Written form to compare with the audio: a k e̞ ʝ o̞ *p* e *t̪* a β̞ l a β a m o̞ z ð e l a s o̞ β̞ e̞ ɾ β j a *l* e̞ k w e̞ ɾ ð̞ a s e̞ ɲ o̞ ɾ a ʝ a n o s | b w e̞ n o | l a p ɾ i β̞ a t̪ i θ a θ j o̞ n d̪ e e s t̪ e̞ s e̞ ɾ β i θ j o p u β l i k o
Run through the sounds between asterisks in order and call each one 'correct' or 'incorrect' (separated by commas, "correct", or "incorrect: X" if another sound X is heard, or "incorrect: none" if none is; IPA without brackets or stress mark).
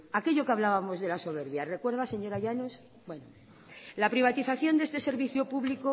incorrect: k, incorrect: none, incorrect: r